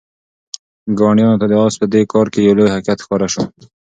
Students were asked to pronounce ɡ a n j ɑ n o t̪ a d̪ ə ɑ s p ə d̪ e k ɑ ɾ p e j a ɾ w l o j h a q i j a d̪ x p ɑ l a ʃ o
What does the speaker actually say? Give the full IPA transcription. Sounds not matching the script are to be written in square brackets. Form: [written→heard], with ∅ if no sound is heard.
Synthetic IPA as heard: ɡ [a→ɑ] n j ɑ n o t̪ a d̪ ə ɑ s p ə d̪ e k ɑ ɾ [p→k] e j a [ɾ→∅] w l o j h a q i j a [d̪→t̪] x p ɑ [l→ɾ] a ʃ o